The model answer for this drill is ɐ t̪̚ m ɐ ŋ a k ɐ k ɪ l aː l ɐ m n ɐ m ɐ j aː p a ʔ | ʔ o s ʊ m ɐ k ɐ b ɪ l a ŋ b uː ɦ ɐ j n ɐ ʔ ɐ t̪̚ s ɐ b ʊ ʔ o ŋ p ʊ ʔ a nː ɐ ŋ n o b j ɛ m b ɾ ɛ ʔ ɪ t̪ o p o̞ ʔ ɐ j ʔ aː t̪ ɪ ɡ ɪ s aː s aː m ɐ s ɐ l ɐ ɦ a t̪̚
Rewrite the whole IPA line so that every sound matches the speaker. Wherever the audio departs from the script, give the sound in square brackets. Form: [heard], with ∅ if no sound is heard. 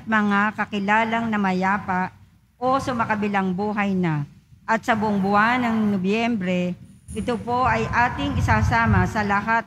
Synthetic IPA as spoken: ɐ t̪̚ m ɐ ŋ a k ɐ k ɪ l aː l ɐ [ŋ] n ɐ m ɐ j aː p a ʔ | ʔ o s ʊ m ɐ k ɐ b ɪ l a ŋ b uː ɦ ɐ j n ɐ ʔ ɐ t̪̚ s ɐ b ʊ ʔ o ŋ [b] ʊ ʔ a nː ɐ ŋ n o b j ɛ m b ɾ ɛ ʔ ɪ t̪ o p o̞ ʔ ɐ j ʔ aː t̪ ɪ [ŋ] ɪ s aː s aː m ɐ s ɐ l ɐ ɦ a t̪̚